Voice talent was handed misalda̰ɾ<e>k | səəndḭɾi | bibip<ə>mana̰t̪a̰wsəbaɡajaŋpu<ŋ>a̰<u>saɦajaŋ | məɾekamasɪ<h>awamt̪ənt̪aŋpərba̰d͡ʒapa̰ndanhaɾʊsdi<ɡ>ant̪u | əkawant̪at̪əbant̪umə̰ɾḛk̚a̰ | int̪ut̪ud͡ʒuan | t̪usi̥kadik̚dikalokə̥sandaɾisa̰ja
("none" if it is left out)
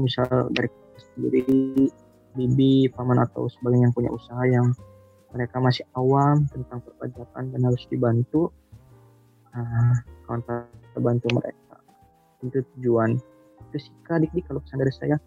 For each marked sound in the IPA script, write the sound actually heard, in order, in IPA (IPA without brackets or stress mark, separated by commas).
i, a, ɲ, u, h, b